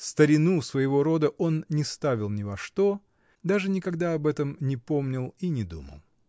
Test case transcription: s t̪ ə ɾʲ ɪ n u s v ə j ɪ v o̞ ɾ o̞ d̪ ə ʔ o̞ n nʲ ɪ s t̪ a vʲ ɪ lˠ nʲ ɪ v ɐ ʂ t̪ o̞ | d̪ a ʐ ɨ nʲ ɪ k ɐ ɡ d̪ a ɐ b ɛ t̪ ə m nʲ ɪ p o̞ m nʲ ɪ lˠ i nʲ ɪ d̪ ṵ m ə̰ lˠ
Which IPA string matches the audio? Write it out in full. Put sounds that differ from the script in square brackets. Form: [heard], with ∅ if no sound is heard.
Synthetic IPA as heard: s t̪ ə ɾʲ ɪ n u s v ə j ɪ v o̞ ɾ o̞ d̪ ə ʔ o̞ n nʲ ɪ s t̪ a vʲ ɪ lˠ nʲ ɪ v ɐ ʂ t̪ o̞ | d̪ a ʐ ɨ nʲ ɪ k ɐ ɡ d̪ a ɐ b ɛ t̪ ə m nʲ ɪ p o̞ m nʲ ɪ lˠ i nʲ ɪ d̪ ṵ m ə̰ lˠ